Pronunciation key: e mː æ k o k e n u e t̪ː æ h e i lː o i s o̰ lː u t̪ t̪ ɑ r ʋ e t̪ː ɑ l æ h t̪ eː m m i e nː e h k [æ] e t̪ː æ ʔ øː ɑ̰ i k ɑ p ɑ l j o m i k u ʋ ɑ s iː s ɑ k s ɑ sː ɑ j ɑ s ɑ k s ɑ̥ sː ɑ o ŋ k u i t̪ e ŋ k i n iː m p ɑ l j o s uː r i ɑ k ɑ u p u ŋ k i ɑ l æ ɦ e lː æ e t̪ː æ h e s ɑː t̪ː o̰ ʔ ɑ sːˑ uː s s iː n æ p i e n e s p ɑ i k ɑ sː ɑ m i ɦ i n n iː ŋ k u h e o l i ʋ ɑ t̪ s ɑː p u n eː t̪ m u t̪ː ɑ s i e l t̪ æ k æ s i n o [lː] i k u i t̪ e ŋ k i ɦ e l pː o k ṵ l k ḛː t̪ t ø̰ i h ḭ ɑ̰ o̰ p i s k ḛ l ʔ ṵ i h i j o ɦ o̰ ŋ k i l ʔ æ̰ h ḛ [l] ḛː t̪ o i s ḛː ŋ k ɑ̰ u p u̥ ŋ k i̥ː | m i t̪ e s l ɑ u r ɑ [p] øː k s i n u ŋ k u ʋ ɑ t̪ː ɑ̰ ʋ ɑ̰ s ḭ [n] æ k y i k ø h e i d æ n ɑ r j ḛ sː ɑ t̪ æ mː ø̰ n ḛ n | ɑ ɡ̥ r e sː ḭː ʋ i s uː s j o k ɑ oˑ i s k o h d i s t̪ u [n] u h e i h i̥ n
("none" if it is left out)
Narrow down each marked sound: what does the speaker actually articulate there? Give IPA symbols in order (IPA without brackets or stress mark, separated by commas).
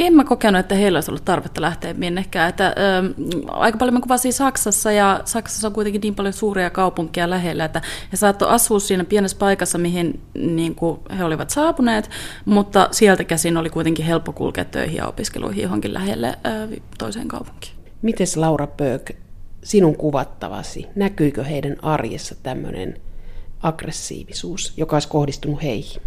æː, l, lː, p, n, n